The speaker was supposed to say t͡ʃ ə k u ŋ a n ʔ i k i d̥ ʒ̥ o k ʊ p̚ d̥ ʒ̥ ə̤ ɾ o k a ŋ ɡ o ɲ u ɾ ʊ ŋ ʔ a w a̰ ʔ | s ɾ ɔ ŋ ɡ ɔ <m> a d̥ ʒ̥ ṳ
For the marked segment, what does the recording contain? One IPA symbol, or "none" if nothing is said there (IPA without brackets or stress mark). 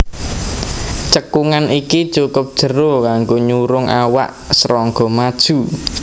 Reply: m